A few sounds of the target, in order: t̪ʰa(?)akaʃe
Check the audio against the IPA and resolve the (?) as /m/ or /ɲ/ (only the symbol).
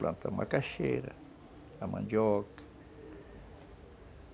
m